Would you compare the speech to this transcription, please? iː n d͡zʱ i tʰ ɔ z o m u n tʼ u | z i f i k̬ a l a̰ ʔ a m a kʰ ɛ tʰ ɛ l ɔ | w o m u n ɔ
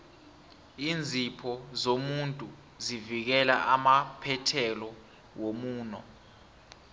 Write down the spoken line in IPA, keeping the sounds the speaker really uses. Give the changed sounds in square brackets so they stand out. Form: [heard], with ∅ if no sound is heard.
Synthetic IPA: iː n d͡zʱ i [pʰ] ɔ z o m u n tʼ u | z i [v] i k̬ [ɛ] l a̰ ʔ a m a [pʰ] ɛ tʰ ɛ l ɔ | w o m [uː] n ɔ